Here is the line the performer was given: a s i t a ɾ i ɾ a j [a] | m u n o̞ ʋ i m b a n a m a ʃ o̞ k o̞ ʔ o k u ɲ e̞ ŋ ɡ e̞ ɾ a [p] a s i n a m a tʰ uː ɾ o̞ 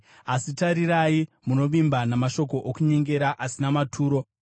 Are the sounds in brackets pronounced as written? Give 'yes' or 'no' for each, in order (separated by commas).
no, no